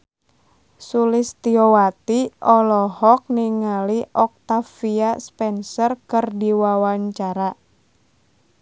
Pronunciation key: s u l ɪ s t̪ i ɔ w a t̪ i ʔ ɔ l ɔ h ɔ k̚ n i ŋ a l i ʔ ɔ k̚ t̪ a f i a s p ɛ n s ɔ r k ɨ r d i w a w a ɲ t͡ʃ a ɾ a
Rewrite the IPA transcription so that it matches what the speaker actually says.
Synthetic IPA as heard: s u l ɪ s t̪ i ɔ w a t̪ i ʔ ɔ l ɔ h ɔ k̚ n i ŋ a l i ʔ ɔ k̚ t̪ a f i a s p ɛ n s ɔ r k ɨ r d i w a w a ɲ t͡ʃ a ɾ a